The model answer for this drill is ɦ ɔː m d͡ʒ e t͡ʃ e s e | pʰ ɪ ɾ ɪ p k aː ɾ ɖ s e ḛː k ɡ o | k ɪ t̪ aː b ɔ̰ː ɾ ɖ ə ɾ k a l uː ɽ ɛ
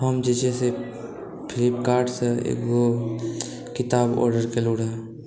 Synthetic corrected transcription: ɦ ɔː m d͡ʒ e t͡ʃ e s e | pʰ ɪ l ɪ p k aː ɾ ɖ s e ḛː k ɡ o | k ɪ t̪ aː b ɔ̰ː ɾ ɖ ə ɾ k e l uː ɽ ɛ